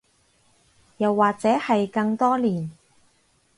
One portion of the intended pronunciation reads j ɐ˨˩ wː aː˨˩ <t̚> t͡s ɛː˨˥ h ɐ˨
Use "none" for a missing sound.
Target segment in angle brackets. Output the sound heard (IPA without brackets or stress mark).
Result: k̚